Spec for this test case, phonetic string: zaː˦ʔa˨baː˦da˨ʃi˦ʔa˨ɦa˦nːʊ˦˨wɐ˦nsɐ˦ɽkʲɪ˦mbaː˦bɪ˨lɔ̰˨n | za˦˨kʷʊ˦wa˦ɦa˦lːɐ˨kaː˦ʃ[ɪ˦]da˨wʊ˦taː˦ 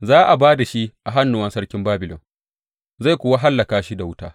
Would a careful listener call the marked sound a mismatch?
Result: yes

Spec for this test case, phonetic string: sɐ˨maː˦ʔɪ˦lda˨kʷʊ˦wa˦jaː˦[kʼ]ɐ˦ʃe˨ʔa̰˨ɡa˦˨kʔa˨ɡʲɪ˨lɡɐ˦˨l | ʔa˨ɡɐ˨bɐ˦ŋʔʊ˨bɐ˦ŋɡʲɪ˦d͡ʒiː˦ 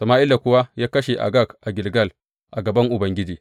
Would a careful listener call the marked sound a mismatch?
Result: yes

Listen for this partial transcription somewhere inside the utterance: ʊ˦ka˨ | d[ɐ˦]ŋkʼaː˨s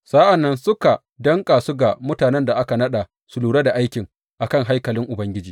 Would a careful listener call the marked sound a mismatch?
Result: no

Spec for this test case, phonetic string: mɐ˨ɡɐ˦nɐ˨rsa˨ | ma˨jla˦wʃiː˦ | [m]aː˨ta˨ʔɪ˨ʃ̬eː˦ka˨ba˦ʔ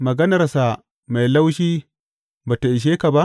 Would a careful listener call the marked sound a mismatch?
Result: yes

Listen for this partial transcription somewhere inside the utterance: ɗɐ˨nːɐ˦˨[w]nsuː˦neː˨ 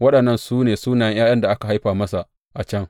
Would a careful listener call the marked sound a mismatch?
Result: yes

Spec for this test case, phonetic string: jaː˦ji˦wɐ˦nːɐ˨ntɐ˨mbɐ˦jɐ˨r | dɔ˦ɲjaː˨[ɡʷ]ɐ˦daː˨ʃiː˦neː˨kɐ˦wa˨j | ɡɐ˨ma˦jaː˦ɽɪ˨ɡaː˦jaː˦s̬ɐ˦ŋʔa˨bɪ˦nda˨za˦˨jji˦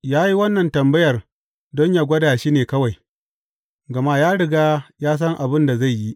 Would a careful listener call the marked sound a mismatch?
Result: no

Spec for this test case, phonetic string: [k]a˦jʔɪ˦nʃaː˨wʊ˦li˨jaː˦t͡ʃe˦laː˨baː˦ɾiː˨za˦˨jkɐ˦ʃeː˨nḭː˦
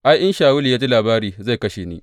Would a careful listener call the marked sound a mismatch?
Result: yes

